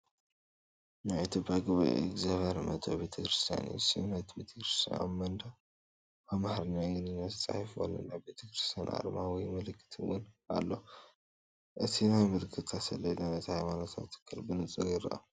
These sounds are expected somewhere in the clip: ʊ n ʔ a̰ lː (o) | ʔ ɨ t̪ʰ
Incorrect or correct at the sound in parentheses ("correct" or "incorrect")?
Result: correct